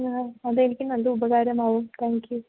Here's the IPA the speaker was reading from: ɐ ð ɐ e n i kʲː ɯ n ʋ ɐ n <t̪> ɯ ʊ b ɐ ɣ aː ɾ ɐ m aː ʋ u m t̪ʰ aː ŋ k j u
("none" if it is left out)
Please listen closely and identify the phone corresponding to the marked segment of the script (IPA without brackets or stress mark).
d̪